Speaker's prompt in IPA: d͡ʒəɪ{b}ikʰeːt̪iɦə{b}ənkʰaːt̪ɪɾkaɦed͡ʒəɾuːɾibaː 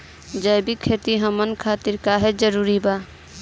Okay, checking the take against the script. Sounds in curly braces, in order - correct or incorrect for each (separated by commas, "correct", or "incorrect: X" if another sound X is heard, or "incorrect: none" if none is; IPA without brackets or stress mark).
correct, incorrect: m